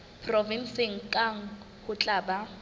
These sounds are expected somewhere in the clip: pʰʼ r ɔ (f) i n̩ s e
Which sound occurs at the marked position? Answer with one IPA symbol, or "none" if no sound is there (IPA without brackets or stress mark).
v